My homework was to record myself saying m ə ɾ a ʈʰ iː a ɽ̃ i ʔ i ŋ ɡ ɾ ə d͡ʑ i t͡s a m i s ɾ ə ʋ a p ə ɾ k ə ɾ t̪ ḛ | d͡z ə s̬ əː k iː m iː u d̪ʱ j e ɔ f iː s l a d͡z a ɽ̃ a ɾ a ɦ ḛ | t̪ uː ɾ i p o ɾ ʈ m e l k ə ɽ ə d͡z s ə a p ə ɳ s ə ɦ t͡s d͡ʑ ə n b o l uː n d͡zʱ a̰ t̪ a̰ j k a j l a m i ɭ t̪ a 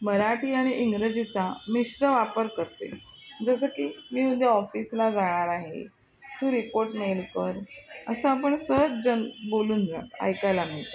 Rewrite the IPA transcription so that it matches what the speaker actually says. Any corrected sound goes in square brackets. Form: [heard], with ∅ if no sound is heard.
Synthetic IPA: m ə ɾ a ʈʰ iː a ɽ̃ i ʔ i ŋ ɡ ɾ ə d͡ʑ i t͡s a m i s ɾ ə ʋ a p ə ɾ k ə ɾ t̪ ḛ | d͡z ə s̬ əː k iː m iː u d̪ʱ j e ɔ f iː s l a d͡z a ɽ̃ a ɾ a ɦ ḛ | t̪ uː ɾ i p o ɾ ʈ m e l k ə [ɾ] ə [∅] s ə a p ə ɳ s ə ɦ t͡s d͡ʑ ə n b o l uː n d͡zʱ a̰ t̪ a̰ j k a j l a m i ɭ t̪ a